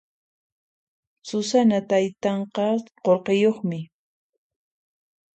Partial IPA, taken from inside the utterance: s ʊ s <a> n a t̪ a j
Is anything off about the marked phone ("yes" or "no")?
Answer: no